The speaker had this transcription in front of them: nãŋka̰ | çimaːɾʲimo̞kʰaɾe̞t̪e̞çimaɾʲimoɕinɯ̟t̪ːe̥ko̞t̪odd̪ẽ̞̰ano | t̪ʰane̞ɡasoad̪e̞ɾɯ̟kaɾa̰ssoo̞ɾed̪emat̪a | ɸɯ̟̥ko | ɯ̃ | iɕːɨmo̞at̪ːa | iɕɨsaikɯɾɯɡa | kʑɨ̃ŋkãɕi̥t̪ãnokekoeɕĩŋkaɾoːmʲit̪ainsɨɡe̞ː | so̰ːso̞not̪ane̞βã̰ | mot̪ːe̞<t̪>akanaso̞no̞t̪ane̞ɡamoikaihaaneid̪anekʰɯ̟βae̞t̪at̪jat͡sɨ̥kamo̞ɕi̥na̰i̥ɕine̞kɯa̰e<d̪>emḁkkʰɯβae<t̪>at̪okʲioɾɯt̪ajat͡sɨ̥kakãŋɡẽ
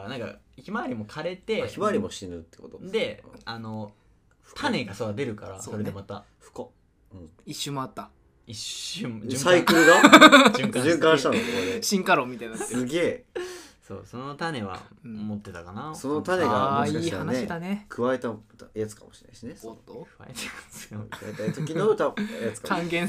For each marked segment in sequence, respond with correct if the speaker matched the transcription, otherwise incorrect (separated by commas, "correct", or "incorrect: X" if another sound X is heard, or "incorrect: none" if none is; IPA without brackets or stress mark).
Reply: correct, incorrect: t̪, correct